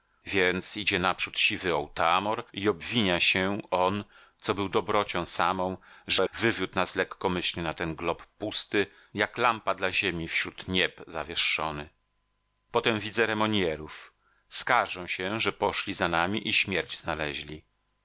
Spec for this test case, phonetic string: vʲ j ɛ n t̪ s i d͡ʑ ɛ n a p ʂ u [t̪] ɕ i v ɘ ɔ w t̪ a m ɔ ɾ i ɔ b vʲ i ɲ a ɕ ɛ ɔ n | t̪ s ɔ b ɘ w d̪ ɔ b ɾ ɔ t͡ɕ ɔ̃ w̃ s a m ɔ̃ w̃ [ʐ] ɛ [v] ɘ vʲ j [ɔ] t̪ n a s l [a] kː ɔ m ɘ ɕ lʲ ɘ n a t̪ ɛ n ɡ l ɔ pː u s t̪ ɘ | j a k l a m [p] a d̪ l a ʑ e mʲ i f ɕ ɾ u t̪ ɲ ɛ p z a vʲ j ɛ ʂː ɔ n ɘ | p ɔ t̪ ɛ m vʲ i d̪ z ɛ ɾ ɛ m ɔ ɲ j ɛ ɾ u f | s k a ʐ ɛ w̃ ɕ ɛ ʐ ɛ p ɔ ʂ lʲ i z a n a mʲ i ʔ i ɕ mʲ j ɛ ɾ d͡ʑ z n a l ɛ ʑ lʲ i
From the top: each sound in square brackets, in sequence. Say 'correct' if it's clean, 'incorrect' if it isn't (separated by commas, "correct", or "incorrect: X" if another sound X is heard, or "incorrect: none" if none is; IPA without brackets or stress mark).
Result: correct, correct, correct, incorrect: u, incorrect: ɛ, correct